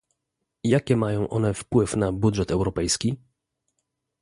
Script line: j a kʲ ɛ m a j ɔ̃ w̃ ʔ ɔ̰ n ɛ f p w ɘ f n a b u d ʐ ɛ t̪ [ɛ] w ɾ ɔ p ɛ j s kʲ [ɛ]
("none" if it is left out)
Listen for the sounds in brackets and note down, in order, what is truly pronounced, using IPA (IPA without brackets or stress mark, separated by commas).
ɛ, i